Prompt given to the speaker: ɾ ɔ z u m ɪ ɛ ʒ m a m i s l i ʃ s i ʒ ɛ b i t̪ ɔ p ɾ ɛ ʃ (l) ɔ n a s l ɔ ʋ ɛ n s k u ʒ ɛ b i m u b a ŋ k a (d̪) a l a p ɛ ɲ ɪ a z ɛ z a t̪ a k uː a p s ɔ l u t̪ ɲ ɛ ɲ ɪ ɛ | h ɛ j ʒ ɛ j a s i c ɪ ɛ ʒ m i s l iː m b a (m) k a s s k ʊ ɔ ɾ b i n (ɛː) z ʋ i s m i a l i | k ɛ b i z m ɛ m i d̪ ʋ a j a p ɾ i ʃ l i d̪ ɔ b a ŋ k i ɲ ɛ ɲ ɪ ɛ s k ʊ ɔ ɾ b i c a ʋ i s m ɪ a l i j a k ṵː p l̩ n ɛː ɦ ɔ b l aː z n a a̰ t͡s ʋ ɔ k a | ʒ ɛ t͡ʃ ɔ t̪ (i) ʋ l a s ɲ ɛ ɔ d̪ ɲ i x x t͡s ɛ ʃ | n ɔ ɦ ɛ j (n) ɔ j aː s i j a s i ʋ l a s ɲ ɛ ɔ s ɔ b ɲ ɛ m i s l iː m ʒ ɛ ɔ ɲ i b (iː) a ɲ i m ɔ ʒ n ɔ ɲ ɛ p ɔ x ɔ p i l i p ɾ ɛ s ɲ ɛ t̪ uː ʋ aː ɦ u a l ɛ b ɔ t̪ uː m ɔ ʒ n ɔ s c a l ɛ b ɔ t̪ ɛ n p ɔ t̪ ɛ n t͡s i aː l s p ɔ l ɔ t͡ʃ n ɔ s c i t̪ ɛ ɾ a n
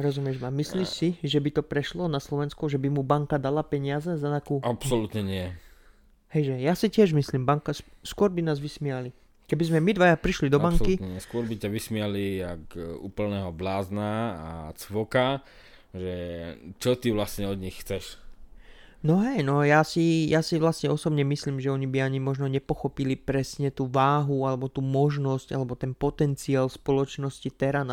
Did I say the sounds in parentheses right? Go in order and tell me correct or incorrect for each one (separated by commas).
correct, correct, incorrect, incorrect, correct, correct, incorrect